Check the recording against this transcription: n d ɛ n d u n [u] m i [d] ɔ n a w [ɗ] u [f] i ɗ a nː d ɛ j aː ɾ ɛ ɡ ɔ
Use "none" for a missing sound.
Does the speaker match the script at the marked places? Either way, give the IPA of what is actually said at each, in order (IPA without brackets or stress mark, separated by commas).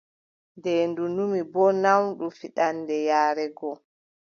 u, b, ɗ, f